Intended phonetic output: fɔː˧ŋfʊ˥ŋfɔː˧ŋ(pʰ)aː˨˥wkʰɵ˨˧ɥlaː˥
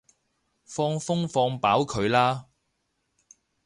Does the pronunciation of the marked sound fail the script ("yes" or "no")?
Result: yes